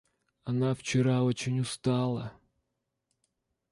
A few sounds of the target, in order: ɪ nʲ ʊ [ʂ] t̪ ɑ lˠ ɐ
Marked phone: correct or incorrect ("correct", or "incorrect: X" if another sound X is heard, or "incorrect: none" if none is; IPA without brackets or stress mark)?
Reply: incorrect: s